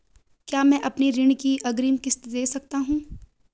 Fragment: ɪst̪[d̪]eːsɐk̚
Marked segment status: correct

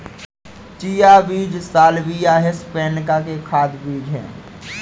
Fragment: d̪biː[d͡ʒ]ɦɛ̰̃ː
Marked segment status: correct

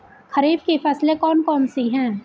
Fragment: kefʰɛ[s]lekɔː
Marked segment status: correct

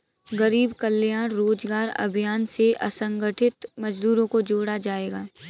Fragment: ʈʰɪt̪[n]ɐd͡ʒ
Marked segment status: incorrect: m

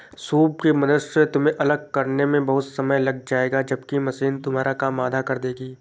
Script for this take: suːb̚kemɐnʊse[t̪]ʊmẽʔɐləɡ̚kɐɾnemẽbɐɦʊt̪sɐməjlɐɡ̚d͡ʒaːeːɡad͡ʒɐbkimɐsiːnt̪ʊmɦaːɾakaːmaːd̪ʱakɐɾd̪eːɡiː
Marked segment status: correct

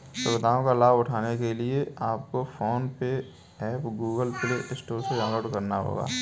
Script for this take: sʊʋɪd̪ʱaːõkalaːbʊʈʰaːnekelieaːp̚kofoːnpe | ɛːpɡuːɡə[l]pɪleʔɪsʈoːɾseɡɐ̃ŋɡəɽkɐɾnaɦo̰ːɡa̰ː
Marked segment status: correct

